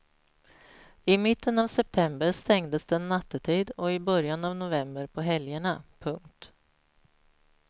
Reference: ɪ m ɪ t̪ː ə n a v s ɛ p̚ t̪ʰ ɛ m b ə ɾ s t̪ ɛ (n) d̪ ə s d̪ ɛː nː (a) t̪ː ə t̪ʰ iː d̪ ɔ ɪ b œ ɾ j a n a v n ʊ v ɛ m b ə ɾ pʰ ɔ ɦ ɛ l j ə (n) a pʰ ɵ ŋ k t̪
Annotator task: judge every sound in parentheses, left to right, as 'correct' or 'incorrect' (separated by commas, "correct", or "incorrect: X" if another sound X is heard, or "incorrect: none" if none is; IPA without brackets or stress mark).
incorrect: ŋ, correct, incorrect: ɳ